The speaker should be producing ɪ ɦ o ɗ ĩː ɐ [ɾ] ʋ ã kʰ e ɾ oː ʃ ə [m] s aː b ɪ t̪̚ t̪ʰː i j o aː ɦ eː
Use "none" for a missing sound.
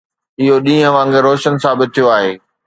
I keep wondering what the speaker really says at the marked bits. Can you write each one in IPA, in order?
none, n

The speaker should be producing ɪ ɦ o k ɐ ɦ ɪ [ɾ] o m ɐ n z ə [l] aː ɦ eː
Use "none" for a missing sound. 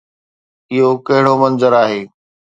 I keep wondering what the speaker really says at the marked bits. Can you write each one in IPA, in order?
ɽ, ɾ

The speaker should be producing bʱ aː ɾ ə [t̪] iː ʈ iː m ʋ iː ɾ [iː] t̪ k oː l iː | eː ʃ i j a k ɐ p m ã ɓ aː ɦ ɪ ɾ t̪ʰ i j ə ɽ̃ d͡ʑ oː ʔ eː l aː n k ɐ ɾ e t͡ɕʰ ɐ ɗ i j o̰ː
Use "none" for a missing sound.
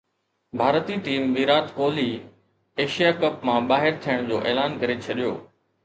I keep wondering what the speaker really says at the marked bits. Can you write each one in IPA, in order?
t̪, aː

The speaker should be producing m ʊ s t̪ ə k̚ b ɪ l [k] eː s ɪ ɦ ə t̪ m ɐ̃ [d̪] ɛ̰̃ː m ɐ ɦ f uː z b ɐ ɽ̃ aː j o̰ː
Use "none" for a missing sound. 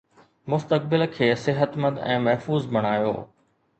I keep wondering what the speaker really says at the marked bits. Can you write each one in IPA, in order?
kʰ, d̪

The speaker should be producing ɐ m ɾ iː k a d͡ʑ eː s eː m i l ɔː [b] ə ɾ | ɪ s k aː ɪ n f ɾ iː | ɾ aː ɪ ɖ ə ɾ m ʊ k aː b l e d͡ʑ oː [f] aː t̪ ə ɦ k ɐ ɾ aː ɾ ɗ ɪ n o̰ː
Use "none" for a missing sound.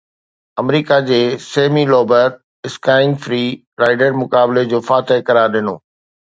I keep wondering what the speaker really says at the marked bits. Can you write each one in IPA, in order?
b, f

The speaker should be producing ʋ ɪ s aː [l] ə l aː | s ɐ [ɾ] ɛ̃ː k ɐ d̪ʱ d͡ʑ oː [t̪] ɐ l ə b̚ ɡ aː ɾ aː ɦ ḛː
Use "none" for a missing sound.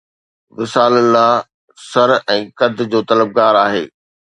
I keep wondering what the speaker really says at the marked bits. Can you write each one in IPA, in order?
l, ɾ, t̪

